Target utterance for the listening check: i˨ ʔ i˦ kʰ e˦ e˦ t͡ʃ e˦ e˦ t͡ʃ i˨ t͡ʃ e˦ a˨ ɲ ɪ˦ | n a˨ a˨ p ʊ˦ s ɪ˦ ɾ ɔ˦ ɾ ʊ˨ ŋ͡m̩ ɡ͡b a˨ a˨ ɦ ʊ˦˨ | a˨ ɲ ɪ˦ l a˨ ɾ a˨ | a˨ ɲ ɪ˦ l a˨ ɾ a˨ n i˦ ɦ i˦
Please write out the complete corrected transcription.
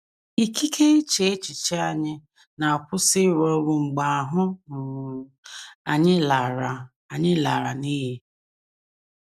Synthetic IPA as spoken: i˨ k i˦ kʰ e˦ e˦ t͡ʃ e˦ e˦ t͡ʃ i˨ t͡ʃ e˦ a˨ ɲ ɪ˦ | n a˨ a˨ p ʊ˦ s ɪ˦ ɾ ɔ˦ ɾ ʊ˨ ŋ͡m̩ ɡ͡b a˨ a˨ ɦ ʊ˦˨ | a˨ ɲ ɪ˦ l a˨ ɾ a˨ | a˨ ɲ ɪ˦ l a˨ ɾ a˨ n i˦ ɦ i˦

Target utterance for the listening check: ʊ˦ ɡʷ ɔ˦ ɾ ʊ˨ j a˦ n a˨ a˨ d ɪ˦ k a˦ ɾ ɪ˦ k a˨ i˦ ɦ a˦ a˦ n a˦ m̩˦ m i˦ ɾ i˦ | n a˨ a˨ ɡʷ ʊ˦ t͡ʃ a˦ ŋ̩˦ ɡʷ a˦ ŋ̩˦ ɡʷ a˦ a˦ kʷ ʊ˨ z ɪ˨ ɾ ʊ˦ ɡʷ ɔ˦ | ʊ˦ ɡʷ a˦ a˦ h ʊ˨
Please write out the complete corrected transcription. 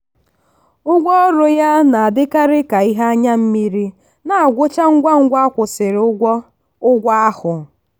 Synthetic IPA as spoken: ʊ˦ ɡʷ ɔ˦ ɾ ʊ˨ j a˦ n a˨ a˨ d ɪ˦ k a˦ ɾ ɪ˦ k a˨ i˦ ɦ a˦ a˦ ɲ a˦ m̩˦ m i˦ ɾ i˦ | n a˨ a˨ ɡʷ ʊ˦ t͡ʃ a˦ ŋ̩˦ ɡʷ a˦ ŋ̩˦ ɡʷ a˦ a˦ kʷ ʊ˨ s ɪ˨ ɾ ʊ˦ ɡʷ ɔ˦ | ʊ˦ ɡʷ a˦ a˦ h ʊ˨

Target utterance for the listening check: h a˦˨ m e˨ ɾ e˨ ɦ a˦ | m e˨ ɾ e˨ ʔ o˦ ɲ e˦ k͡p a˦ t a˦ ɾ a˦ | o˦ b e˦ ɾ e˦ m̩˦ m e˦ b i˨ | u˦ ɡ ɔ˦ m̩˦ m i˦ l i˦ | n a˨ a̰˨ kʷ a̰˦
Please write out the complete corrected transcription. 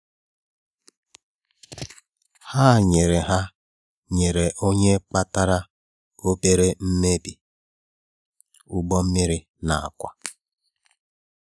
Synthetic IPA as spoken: h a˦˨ ɲ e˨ ɾ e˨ ɦ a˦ | ɲ e˨ ɾ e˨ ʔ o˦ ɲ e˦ k͡p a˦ t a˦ ɾ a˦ | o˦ b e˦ ɾ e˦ m̩˦ m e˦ b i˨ | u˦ ɡ͡b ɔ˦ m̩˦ m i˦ ɾ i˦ | n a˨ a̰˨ kʷ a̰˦

